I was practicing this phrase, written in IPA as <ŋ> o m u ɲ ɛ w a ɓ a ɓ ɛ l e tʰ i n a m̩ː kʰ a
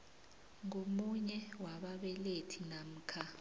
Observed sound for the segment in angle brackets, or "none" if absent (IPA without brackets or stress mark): ŋ